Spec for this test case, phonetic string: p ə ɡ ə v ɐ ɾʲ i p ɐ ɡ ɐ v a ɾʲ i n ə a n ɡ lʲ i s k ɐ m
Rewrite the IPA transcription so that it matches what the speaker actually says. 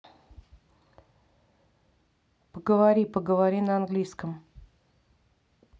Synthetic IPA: p ə ɡ ə v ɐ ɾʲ i p ə ɡ ə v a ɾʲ i n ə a n ɡ lʲ i s k ə m